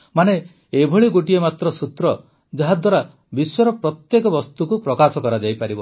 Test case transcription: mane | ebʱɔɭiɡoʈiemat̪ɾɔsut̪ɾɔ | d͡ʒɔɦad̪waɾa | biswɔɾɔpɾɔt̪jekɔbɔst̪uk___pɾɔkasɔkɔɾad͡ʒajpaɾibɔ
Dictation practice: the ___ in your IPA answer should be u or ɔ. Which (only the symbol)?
u